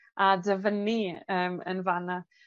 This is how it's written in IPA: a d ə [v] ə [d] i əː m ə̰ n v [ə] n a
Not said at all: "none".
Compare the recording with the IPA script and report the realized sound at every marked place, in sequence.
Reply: v, n, a

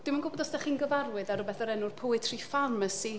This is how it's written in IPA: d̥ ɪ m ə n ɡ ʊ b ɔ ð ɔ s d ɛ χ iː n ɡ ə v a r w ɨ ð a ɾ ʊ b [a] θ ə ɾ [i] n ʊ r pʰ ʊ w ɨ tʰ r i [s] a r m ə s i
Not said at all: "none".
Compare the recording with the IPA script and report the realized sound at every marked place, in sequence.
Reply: ɛ, ɛ, f

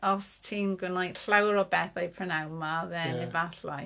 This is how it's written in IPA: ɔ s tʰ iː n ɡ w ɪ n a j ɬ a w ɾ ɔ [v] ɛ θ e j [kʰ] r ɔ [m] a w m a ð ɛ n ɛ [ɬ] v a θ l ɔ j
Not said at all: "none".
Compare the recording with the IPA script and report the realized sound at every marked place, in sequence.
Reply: b, pʰ, n, none

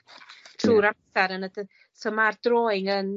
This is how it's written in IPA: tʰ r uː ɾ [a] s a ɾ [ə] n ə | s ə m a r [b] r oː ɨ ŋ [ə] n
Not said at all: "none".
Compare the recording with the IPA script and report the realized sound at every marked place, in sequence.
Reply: a, ə, d, ə

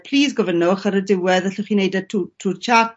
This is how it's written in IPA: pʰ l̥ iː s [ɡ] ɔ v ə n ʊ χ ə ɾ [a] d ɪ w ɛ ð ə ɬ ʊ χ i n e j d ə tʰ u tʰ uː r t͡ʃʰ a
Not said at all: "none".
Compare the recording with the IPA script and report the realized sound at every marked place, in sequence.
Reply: ɡ, ə

